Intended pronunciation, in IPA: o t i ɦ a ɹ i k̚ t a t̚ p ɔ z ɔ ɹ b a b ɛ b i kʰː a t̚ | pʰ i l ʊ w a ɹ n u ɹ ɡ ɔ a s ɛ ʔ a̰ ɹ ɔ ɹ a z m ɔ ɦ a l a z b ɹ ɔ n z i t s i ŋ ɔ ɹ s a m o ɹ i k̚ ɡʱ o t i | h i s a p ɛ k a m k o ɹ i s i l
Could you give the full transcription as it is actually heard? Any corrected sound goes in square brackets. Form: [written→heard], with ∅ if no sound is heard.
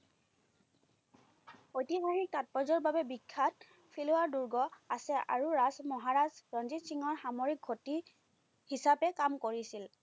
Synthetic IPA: o t i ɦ a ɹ i k̚ t a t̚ p ɔ z ɔ ɹ b a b ɛ b i kʰː a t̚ | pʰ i l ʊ w a ɹ [n→d] u ɹ ɡ ɔ a s ɛ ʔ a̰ ɹ [ɔ→u] ɹ a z m ɔ ɦ a [l→ɹ] a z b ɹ ɔ n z i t s i ŋ ɔ ɹ [s→x] a m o ɹ i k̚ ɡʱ o t i | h i s a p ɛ k a m k o ɹ i s i l